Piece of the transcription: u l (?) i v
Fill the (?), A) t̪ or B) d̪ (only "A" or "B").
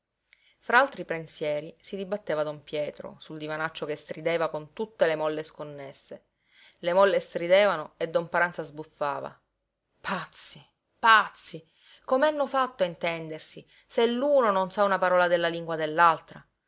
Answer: B